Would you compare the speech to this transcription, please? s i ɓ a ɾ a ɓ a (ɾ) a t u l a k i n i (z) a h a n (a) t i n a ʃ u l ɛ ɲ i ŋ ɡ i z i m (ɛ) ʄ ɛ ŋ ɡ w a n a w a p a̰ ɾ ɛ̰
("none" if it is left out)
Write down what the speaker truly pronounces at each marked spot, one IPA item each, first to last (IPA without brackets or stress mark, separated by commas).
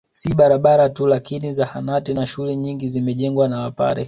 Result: ɾ, z, a, ɛ